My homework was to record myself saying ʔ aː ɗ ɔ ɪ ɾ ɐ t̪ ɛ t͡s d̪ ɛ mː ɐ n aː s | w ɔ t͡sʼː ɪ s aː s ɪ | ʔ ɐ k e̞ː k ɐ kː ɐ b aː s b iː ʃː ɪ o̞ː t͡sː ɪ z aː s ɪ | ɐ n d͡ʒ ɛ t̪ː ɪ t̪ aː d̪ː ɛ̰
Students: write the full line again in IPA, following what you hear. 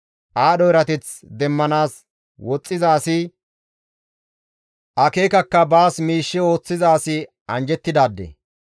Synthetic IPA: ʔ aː ɗ ɔ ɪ ɾ ɐ t̪ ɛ t͡s d̪ ɛ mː ɐ n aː s | w ɔ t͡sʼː ɪ z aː s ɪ | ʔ ɐ k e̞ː k ɐ kː ɐ b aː s m iː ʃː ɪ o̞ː t͡sː ɪ z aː s ɪ | ɐ n d͡ʒ ɛ t̪ː ɪ d̪ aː d̪ː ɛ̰

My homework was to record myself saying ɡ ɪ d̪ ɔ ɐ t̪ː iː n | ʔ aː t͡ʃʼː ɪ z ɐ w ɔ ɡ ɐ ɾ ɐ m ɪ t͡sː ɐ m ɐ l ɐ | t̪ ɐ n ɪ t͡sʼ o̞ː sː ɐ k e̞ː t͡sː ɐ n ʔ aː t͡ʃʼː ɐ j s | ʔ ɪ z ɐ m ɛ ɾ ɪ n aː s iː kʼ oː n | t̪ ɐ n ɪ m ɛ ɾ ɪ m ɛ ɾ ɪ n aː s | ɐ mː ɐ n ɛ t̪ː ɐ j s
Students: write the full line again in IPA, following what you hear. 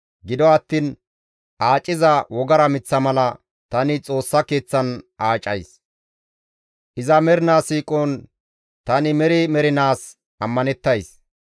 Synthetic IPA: ɡ ɪ d̪ ɔ ɐ t̪ː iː n | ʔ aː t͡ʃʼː ɪ z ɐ w ɔ ɡ ɐ ɾ ɐ m ɪ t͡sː ɐ m ɐ l ɐ | t̪ ɐ n ɪ t͡sʼ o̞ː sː ɐ k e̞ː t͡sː ɐ n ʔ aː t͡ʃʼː ɐ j s | ʔ ɪ z ɐ m ɛ ɾ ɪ n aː s iː kʼ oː n | t̪ ɐ n ɪ m ɛ ɾ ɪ m ɛ ɾ ɪ n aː s | ɐ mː ɐ n ɛ t̪ː ɐ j s

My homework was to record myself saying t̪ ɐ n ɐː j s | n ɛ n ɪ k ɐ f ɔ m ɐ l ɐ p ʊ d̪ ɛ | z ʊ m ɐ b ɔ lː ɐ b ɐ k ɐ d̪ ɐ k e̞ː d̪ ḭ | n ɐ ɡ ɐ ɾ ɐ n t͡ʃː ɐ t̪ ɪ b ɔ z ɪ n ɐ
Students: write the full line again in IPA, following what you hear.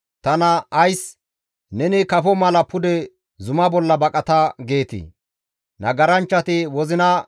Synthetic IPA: t̪ ɐ n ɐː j s | n ɛ n ɪ k ɐ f ɔ m ɐ l ɐ p ʊ d̪ ɛ | z ʊ m ɐ b ɔ lː ɐ b ɐ kʼ ɐ t̪ ɐ ɡ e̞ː t̪ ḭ | n ɐ ɡ ɐ ɾ ɐ n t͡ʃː ɐ t̪ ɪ w ɔ z ɪ n ɐ

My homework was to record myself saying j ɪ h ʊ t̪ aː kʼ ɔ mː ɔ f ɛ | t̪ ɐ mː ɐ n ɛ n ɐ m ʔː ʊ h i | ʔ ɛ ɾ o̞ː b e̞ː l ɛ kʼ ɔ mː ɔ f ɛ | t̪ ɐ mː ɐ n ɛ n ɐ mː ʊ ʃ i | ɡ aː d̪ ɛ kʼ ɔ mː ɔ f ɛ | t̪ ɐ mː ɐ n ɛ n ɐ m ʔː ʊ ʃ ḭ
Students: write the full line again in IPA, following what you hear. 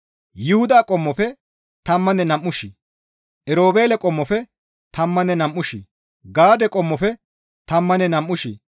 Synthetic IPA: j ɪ h ʊ d̪ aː kʼ ɔ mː ɔ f ɛ | t̪ ɐ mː ɐ n ɛ n ɐ m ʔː ʊ ʃ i | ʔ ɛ ɾ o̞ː b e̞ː l ɛ kʼ ɔ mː ɔ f ɛ | t̪ ɐ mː ɐ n ɛ n ɐ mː ʊ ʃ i | ɡ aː d̪ ɛ kʼ ɔ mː ɔ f ɛ | t̪ ɐ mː ɐ n ɛ n ɐ m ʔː ʊ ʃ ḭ

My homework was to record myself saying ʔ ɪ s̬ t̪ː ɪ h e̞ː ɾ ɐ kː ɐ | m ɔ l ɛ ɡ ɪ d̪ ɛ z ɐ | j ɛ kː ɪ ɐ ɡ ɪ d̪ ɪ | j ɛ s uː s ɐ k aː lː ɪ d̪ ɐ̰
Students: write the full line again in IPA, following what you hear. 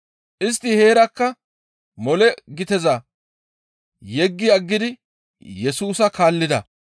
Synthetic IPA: ʔ ɪ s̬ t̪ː ɪ h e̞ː ɾ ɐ kː ɐ | m ɔ l ɛ ɡ ɪ t̪ ɛ z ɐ | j ɛ ɡː ɪ ɐ ɡː ɪ d̪ ɪ | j ɛ s uː s ɐ k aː lː ɪ d̪ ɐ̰

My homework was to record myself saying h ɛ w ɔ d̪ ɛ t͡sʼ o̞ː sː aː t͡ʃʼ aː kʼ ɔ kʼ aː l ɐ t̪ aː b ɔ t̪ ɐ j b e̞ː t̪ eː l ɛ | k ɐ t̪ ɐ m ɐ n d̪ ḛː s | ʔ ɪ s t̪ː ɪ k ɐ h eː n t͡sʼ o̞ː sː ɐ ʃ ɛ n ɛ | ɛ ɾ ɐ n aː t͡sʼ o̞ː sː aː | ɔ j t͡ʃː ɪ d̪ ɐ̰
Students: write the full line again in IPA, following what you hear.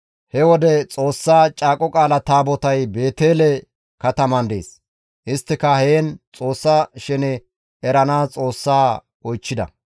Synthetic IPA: h ɛ w ɔ d̪ ɛ t͡sʼ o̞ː sː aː t͡ʃʼ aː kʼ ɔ kʼ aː l ɐ t̪ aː b ɔ t̪ ɐ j b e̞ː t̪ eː l ɛ | k ɐ t̪ ɐ m ɐ n d̪ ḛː s | ʔ ɪ s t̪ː ɪ k ɐ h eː n t͡sʼ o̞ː sː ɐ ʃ ɛ n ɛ | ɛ ɾ ɐ n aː t͡sʼ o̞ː sː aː | ɔ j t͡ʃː ɪ d̪ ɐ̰

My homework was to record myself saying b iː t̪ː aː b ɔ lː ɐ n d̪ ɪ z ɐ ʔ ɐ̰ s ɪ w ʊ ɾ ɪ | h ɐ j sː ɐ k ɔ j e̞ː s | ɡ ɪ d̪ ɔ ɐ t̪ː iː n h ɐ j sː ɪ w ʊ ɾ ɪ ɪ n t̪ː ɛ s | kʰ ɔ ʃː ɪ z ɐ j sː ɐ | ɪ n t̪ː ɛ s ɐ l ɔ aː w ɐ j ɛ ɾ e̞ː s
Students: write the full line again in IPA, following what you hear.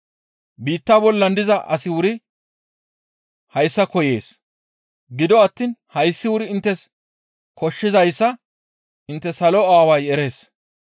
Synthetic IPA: b iː t̪ː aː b ɔ lː ɐ n d̪ ɪ z ɐ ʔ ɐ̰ s ɪ w ʊ ɾ ɪ | h ɐ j sː ɐ k ɔ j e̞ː s | ɡ ɪ d̪ ɔ ɐ t̪ː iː n h ɐ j sː ɪ w ʊ ɾ ɪ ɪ n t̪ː ɛ s | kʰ ɔ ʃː ɪ z ɐ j sː ɐ | ɪ n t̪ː ɛ s ɐ l ɔ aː w ɐ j ɛ ɾ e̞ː s

